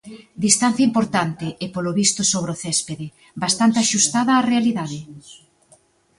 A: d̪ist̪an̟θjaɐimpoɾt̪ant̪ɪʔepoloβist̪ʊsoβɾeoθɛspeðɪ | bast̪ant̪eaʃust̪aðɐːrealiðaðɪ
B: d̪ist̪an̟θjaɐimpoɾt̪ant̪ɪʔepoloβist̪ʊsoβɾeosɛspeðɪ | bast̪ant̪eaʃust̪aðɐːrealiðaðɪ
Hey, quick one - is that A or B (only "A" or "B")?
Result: A